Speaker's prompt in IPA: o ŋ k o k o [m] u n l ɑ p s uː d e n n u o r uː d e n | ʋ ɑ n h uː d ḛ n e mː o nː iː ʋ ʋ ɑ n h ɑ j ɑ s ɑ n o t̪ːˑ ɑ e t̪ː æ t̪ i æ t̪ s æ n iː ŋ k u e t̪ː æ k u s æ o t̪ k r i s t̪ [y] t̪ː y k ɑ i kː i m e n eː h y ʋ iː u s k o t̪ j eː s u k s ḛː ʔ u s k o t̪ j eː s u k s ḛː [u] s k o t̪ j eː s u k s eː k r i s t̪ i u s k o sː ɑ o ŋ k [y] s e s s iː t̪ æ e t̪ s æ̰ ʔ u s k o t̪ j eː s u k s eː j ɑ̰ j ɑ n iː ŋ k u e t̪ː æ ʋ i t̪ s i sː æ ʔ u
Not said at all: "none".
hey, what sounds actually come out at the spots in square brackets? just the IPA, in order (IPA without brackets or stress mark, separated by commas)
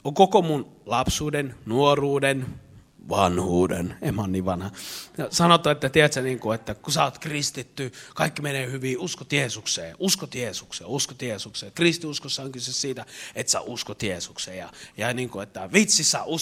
m, i, u, y